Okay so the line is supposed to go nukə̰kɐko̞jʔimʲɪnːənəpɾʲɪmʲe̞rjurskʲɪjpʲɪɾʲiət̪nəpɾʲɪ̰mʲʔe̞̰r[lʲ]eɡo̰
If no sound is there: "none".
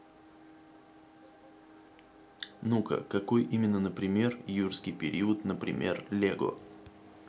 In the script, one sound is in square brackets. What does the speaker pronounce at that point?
lʲ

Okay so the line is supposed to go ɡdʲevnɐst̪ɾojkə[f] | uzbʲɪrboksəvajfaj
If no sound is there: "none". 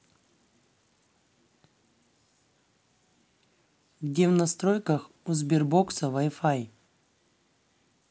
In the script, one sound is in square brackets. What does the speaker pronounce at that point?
x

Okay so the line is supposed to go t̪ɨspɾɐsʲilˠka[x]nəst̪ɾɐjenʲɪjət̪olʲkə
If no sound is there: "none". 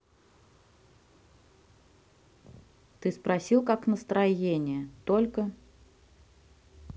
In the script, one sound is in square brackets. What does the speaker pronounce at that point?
k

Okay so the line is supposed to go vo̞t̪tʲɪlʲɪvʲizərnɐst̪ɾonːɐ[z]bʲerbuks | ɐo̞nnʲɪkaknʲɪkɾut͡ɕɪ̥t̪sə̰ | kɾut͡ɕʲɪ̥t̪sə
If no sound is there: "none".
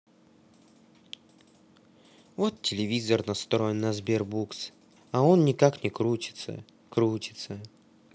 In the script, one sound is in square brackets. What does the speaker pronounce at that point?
z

